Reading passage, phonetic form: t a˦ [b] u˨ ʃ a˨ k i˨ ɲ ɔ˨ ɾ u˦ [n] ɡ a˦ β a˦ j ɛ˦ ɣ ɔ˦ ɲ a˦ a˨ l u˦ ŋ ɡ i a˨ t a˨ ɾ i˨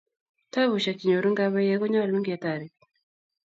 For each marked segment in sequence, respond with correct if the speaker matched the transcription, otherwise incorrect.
incorrect, incorrect

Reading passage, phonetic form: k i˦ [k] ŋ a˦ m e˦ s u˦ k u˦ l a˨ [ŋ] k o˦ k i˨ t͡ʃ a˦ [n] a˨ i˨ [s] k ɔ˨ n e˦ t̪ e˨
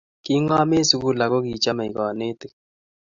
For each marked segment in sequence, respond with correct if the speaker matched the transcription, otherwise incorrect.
incorrect, incorrect, incorrect, incorrect

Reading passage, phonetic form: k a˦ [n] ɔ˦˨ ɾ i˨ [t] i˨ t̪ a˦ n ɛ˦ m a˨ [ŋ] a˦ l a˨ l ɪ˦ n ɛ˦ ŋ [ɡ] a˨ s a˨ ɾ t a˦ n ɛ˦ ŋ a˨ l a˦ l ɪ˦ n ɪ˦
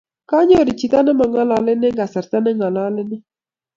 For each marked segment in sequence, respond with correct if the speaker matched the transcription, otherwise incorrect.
incorrect, incorrect, correct, correct

